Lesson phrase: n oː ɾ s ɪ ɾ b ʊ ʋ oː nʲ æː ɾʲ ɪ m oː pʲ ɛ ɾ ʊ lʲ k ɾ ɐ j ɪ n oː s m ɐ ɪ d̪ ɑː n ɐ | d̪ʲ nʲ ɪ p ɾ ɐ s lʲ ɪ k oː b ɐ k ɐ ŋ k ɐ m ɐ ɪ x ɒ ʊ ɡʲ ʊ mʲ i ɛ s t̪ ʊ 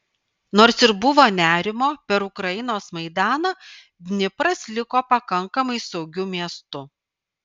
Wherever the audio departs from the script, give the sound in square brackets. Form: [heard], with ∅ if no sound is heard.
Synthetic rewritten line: n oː ɾ s ɪ ɾ b ʊ ʋ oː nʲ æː ɾʲ ɪ m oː pʲ ɛ ɾ ʊ [∅] k ɾ ɐ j ɪ n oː s m ɐ ɪ d̪ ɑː n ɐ | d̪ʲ nʲ ɪ p ɾ ɐ s lʲ ɪ k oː [p] ɐ k ɐ ŋ k ɐ m ɐ ɪ [s] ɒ ʊ ɡʲ ʊ mʲ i ɛ s t̪ ʊ